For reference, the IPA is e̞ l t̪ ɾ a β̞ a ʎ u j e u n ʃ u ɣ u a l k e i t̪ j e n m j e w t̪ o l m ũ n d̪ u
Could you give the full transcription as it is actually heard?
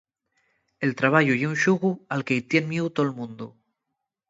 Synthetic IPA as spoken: e̞ l t̪ ɾ a β̞ a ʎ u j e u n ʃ u ɣ u a l k e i t̪ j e n m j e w t̪ o l m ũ n d̪ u